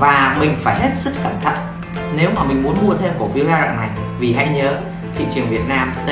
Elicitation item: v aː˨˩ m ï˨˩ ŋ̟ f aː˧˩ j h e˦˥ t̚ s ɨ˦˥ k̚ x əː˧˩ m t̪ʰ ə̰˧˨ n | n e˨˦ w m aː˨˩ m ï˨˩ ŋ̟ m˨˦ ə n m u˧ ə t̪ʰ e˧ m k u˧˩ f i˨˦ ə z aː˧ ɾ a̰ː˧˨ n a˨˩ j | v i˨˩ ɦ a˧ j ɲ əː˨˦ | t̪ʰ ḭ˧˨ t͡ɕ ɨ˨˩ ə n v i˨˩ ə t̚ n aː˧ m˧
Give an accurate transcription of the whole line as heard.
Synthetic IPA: v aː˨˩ m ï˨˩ ŋ̟ f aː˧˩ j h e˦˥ t̚ s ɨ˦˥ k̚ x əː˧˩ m t̪ʰ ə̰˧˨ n | n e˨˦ w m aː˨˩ m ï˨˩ ŋ̟ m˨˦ ə n m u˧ ə t̪ʰ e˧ m k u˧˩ f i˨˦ ə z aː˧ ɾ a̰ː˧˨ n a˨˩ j | v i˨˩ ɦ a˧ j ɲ əː˨˦ | t̪ʰ ḭ˧˨ t͡ɕ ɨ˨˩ ə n v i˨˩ ə t̚ n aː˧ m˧

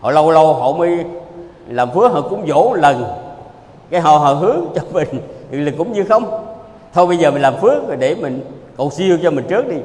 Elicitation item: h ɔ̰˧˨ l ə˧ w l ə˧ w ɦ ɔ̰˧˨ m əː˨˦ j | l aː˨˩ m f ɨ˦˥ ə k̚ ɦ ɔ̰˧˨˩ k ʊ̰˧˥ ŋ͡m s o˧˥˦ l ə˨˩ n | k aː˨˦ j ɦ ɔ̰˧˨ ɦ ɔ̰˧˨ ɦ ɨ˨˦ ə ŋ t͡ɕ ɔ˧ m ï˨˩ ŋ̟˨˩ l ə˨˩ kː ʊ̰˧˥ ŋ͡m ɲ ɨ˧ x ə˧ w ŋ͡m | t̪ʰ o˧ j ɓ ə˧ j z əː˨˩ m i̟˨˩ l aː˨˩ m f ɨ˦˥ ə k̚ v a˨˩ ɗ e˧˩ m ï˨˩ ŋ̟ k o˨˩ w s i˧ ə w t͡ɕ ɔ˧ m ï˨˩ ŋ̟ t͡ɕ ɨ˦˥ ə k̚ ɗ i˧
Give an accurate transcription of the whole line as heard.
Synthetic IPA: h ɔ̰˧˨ l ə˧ w l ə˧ w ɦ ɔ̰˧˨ m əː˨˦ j | l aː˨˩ m f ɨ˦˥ ə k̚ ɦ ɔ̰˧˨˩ k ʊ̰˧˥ ŋ͡m z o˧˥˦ l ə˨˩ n | k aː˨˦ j ɦ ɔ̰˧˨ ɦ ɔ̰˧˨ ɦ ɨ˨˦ ə ŋ t͡ɕ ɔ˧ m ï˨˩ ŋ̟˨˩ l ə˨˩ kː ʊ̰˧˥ ŋ͡m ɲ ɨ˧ x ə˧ w ŋ͡m | t̪ʰ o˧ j ɓ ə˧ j z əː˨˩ m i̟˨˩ l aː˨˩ m f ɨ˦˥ ə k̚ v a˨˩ ɗ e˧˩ m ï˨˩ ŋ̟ k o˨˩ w s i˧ ə w t͡ɕ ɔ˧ m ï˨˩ ŋ̟ t͡ɕ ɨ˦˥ ə k̚ ɗ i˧

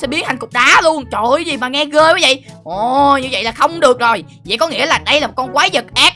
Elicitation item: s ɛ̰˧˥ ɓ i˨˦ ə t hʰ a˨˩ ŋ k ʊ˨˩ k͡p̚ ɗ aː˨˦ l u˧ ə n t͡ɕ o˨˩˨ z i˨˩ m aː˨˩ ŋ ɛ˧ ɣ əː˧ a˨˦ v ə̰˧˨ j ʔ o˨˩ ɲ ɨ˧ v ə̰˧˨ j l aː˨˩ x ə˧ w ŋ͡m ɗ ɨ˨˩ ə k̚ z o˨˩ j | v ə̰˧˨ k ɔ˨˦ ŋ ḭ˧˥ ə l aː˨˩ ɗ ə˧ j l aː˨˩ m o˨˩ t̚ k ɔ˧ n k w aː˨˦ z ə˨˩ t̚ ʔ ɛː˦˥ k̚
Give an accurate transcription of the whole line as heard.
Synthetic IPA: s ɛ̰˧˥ ɓ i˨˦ ə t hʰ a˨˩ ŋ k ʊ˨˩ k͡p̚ ɗ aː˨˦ l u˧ ə n t͡ɕ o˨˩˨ z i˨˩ m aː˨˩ ŋ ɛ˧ ɣ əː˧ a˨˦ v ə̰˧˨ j ʔ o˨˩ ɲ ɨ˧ v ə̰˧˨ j l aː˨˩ x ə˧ w ŋ͡m ɗ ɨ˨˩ ə k̚ z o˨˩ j | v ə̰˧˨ k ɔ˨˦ ŋ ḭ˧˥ ə l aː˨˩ ɗ ə˧ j l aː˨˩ m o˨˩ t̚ k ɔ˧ n k w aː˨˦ z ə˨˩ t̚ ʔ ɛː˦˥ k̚

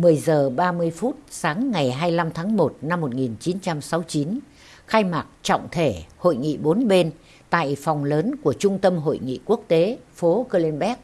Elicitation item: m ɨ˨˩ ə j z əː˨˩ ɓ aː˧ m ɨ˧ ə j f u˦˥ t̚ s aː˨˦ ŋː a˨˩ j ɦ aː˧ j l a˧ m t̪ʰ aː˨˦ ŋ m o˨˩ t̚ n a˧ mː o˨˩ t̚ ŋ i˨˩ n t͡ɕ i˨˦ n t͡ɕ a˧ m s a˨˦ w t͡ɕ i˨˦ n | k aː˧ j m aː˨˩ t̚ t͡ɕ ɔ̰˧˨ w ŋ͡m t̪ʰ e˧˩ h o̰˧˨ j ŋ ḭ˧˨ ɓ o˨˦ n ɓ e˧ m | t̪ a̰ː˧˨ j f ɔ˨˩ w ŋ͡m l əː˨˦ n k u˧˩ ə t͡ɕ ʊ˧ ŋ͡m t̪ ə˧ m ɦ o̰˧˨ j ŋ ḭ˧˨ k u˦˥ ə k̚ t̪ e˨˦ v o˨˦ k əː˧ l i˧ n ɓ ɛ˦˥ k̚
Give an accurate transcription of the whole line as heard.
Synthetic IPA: m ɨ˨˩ ə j z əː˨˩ ɓ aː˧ m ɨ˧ ə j f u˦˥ t̚ s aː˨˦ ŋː a˨˩ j ɦ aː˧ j l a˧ m t̪ʰ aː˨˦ ŋ m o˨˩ t̚ n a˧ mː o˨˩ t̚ ŋ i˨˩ n t͡ɕ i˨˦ n t͡ɕ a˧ m s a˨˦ w t͡ɕ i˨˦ n | x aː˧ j m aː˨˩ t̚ t͡ɕ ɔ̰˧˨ w ŋ͡m t̪ʰ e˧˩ h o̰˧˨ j ŋ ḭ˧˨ ɓ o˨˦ n ɓ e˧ n | t̪ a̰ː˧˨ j f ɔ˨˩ w ŋ͡m l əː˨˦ n k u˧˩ ə t͡ɕ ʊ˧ ŋ͡m t̪ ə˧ m ɦ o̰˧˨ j ŋ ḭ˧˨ k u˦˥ ə k̚ t̪ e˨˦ f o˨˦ k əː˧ l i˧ n ɓ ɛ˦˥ k̚

